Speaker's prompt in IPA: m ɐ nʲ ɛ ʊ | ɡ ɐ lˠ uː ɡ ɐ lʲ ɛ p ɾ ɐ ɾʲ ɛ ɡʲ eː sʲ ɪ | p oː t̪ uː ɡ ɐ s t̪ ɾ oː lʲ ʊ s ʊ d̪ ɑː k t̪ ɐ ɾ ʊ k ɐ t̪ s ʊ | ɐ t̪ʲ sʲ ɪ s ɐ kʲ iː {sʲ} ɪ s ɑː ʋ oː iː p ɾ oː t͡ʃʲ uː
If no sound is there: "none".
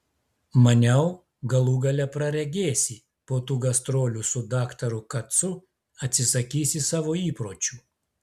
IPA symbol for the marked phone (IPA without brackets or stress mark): sʲ